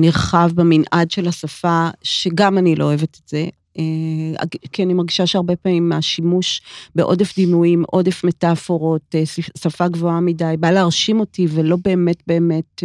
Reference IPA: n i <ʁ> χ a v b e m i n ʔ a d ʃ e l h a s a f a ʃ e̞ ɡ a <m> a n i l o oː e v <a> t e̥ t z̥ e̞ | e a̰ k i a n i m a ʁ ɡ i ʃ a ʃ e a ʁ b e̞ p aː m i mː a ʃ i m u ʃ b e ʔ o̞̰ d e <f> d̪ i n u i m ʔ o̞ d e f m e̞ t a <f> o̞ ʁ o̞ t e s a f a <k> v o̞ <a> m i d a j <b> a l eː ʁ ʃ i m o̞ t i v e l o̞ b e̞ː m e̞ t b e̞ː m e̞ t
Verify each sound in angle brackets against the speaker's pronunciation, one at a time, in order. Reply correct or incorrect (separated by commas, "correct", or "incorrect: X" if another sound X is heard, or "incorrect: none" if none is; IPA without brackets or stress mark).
correct, correct, incorrect: e, correct, correct, incorrect: ɡ, correct, correct